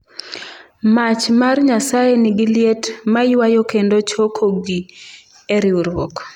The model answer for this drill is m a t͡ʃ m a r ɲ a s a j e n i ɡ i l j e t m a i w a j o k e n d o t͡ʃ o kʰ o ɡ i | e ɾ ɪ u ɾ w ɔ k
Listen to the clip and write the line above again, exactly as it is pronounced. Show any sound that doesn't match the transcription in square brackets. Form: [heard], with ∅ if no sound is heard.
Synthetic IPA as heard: m a t͡ʃ m a r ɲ a s a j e n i ɡ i l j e t m a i w a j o k e n d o t͡ʃ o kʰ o ɡ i | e ɾ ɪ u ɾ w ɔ k